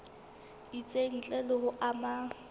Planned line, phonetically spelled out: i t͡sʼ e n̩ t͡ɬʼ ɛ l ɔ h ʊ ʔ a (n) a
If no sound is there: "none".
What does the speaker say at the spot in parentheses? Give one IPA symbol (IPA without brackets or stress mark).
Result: m